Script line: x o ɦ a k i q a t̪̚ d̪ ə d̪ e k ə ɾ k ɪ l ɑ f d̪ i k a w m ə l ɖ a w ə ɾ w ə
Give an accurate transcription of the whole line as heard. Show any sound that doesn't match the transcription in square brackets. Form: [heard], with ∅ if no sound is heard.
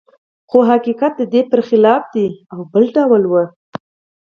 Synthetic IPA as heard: x o ɦ a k i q a t̪̚ d̪ ə d̪ e [p] ə ɾ [x] ɪ l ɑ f d̪ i [∅] a w [b] ə l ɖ a w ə [l] w ə